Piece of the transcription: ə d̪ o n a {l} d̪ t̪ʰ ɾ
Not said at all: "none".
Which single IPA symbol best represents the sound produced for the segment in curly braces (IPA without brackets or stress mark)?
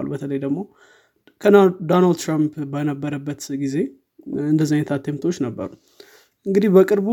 l